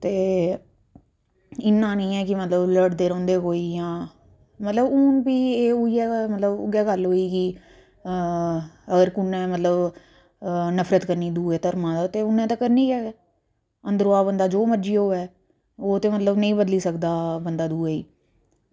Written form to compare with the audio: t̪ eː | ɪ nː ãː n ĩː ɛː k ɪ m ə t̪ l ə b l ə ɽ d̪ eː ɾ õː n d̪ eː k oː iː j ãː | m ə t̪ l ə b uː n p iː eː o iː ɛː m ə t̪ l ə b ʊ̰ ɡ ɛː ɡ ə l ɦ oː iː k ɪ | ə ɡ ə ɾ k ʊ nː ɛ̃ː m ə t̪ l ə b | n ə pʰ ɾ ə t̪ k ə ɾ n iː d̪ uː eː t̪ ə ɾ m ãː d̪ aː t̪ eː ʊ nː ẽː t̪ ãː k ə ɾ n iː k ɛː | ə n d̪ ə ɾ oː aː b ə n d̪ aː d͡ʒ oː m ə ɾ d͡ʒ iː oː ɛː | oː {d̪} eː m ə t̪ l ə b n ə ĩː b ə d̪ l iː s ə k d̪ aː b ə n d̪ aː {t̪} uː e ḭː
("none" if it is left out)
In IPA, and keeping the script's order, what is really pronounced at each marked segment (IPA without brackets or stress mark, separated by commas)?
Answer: t̪, d̪